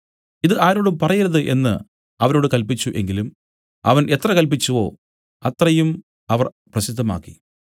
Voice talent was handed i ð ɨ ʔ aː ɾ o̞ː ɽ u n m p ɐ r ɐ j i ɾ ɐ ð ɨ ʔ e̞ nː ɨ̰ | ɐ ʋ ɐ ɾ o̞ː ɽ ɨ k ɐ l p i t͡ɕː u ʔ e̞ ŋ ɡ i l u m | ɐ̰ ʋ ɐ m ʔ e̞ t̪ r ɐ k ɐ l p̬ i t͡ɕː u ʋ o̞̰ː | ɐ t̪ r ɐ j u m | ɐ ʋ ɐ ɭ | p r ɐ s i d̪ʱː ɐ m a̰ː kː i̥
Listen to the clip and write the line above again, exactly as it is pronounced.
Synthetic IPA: i ð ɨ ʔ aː ɾ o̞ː ɽ u m p ɐ r ɐ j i ɾ ɐ ð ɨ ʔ e̞ nː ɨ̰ | ɐ ʋ ɐ ɾ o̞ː ɽ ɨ k ɐ l p i t͡ɕː u ʔ e̞ ŋ ɡ i l u m | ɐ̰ ʋ ɐ n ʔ e̞ t̪ r ɐ k ɐ l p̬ i t͡ɕː u ʋ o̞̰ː | ɐ t̪ r ɐ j u m | ɐ ʋ ɐ r | p r ɐ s i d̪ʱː ɐ m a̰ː kː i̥